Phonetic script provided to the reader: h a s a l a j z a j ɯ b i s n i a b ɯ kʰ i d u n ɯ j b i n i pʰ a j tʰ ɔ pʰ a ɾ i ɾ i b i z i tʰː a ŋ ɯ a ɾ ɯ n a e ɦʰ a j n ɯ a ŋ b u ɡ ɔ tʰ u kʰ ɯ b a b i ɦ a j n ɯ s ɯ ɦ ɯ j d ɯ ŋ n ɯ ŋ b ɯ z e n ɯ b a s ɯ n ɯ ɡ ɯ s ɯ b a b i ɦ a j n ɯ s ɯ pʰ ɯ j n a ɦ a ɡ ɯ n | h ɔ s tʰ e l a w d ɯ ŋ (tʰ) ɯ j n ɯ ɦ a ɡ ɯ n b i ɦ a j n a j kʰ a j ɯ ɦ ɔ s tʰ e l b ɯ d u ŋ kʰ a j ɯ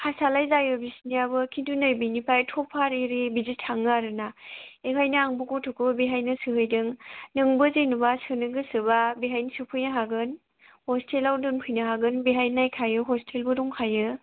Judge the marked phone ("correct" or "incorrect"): incorrect